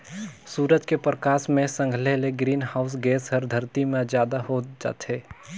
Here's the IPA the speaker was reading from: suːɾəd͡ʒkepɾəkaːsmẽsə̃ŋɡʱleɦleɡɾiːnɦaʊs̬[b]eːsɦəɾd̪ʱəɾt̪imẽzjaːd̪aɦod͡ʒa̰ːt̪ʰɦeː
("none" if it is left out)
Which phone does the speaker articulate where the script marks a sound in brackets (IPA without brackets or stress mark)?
ɡ